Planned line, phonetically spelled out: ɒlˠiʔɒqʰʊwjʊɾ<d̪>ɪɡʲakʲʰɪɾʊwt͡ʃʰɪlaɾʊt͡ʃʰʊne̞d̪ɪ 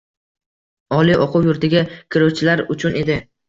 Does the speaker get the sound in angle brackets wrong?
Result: yes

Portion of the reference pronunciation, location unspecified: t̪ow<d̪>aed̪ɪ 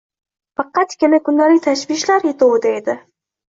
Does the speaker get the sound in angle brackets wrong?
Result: no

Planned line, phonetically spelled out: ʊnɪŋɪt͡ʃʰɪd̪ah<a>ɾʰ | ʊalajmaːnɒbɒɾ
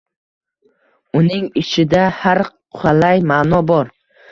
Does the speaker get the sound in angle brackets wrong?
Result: no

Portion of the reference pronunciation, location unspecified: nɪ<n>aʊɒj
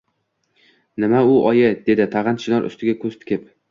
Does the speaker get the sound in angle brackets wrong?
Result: yes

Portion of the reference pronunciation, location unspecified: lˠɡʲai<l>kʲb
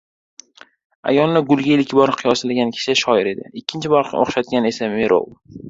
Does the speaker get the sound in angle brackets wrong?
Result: no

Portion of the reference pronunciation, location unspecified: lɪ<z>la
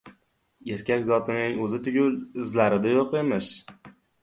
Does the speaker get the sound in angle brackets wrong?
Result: no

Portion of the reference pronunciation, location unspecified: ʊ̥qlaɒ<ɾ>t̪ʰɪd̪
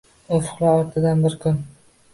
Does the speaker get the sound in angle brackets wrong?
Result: no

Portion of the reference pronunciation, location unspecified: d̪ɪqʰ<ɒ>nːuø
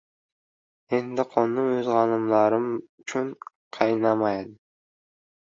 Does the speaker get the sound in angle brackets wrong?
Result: yes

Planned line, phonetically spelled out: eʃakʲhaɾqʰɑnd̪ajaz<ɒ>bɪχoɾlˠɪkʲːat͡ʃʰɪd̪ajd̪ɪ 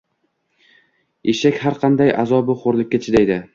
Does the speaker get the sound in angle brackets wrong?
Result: no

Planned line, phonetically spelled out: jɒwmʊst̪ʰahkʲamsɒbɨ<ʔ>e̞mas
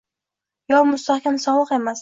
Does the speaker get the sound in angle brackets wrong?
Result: yes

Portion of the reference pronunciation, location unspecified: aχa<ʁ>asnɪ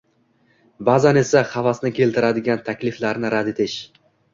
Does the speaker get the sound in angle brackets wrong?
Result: yes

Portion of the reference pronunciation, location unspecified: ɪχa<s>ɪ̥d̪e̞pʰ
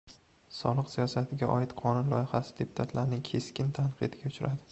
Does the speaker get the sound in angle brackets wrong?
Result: no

